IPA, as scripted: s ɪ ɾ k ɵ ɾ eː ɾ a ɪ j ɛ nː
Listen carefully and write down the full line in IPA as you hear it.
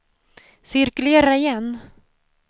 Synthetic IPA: s ɪ ɾ k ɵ l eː ɾ a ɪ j ɛ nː